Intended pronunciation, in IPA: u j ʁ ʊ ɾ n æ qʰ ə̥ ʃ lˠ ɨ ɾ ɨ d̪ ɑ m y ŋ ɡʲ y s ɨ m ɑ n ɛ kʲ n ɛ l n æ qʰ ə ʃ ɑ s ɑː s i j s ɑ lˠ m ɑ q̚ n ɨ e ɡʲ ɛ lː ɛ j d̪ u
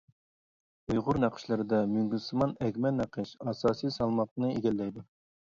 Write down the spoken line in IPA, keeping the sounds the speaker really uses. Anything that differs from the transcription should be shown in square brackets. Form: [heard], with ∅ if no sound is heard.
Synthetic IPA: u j ʁ ʊ ɾ n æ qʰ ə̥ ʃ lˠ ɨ ɾ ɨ d̪ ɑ m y ŋ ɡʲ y s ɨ m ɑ n ɛ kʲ [m] ɛ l n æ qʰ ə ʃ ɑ s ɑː s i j s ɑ lˠ m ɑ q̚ n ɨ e ɡʲ ɛ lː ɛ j d̪ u